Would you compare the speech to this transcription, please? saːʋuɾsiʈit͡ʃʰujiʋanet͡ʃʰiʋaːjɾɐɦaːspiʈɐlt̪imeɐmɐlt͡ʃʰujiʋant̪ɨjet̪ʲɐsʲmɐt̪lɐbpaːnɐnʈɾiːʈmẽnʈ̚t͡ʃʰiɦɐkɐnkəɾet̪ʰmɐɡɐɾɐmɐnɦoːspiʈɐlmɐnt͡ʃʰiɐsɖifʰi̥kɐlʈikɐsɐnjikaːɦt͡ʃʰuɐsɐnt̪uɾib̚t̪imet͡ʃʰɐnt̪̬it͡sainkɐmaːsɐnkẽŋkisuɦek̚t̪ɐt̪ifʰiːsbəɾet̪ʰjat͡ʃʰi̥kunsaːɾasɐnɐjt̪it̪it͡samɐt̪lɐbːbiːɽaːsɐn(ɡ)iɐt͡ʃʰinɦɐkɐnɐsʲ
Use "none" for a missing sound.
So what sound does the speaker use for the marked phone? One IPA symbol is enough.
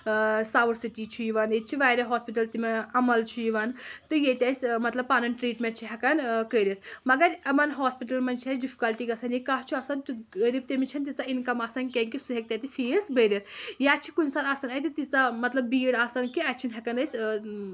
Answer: k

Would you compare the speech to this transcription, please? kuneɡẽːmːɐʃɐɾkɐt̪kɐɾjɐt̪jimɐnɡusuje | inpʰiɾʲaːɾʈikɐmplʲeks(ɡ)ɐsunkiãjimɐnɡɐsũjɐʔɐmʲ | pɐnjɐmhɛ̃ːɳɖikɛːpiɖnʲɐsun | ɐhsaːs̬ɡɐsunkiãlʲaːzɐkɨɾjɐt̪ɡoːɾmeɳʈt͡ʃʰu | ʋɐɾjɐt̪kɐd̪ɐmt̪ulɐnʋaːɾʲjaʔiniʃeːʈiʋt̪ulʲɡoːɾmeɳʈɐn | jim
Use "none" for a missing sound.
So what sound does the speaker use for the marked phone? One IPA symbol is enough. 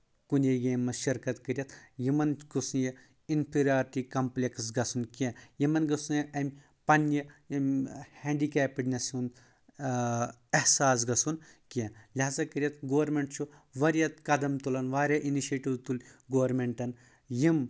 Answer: ɡ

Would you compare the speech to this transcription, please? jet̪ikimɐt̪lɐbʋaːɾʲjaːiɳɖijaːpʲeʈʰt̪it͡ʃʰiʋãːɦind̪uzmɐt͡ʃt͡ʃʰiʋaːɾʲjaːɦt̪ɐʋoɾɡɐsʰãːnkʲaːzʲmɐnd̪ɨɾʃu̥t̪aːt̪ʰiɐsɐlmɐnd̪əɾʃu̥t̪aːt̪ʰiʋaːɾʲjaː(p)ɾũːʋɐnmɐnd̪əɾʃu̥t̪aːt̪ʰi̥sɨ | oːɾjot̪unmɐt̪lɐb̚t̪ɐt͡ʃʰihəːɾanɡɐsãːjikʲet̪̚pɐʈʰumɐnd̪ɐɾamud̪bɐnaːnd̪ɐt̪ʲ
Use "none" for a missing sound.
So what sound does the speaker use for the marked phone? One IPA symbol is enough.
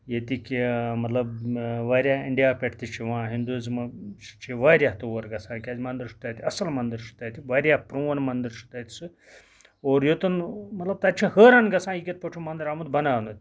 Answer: p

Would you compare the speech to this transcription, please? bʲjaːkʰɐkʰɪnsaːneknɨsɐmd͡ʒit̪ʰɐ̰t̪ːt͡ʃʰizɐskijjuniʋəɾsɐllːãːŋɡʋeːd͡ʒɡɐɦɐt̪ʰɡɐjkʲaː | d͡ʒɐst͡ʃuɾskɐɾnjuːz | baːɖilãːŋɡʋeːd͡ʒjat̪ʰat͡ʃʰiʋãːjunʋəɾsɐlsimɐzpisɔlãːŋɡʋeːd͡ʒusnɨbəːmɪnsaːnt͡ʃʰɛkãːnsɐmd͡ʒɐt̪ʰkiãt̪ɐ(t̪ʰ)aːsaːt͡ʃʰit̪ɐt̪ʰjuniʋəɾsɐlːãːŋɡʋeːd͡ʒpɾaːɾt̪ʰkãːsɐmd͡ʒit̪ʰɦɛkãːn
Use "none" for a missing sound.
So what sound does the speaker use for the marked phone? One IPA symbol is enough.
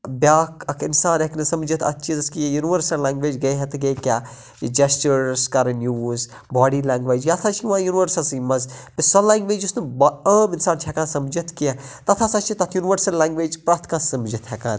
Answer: t̪ʰ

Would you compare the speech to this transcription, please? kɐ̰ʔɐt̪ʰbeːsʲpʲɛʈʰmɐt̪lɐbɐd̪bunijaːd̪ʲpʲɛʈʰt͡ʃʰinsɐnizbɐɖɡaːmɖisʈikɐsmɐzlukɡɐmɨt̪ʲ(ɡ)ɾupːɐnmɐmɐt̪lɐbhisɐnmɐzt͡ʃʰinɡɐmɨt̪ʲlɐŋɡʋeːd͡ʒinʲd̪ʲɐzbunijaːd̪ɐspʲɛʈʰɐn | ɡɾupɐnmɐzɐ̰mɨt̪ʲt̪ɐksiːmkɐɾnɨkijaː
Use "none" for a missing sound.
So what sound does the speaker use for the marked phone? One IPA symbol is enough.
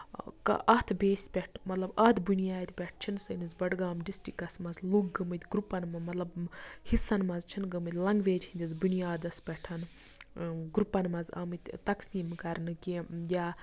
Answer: ɡ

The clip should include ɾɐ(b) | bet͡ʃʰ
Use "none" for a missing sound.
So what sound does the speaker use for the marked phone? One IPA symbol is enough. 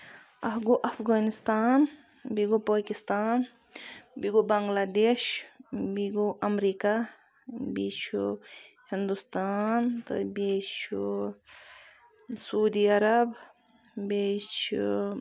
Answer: b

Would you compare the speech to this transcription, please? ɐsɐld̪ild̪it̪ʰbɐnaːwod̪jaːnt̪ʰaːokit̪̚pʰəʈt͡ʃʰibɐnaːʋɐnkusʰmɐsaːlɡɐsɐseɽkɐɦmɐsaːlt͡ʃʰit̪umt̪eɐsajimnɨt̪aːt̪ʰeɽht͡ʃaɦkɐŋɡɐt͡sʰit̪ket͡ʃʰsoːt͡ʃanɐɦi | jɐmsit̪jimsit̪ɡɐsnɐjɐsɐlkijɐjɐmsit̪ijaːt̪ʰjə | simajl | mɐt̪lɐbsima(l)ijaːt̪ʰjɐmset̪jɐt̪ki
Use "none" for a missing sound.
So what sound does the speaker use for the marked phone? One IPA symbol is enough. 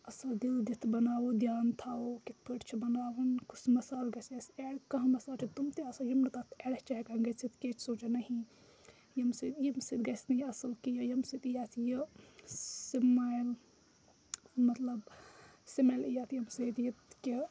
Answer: l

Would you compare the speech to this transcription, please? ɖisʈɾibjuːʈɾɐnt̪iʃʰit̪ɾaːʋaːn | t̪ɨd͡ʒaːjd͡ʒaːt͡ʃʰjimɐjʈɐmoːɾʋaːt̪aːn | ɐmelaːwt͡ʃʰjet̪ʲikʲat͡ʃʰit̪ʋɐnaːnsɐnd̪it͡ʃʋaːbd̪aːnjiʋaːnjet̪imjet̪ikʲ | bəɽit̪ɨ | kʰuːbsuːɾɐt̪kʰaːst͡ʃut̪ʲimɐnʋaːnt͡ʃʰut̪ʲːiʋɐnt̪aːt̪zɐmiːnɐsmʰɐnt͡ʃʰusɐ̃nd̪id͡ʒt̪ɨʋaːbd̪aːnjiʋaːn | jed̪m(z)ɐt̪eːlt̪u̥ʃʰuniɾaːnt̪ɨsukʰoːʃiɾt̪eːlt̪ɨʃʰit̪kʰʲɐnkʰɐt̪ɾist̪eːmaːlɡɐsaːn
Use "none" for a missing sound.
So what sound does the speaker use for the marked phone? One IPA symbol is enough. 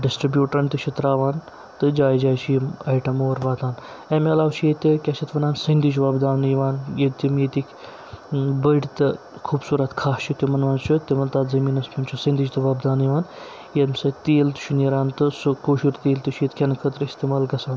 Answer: s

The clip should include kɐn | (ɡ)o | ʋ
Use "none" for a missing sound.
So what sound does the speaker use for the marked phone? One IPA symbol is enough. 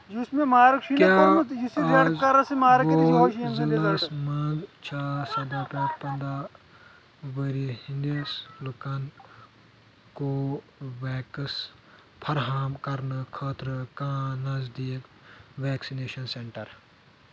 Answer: k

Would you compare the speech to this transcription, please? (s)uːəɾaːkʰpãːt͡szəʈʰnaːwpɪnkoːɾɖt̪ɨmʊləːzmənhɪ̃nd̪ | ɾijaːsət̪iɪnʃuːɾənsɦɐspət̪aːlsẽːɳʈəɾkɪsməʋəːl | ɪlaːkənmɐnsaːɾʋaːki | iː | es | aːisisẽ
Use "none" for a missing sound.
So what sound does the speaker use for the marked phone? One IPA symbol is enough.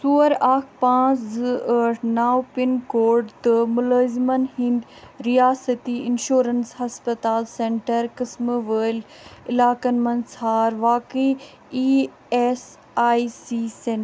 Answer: s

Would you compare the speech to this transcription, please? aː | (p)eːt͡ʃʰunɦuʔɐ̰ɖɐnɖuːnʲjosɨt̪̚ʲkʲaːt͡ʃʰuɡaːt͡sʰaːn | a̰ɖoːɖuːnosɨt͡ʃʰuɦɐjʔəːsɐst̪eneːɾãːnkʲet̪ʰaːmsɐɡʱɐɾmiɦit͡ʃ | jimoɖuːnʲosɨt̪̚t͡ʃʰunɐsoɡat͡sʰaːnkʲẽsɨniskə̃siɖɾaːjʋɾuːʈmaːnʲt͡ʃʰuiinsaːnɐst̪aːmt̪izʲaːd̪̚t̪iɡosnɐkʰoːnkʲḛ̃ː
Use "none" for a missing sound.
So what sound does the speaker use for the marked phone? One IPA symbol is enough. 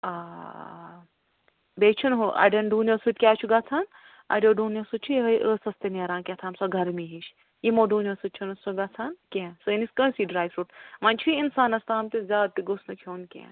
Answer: b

